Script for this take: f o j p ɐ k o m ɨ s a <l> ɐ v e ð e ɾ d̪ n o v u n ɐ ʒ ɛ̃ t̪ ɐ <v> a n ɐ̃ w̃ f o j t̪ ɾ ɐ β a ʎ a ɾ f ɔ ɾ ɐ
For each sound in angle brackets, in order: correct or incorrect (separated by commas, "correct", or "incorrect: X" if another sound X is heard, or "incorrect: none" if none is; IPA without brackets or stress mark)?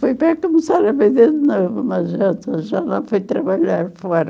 incorrect: ɾ, incorrect: ʒ